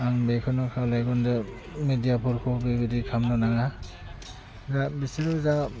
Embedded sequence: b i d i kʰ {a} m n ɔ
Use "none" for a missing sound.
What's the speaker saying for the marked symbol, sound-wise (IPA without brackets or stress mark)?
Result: a